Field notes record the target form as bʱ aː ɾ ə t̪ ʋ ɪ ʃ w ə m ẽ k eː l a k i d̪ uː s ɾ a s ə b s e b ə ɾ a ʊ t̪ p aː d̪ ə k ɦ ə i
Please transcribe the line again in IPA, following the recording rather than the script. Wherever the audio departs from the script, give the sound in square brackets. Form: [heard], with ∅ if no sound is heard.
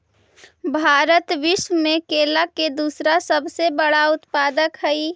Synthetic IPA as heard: bʱ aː ɾ ə t̪ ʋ ɪ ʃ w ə m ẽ k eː l a k [e] d̪ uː s ɾ a s ə b s e b ə [ɽ] a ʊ t̪ p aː d̪ ə k ɦ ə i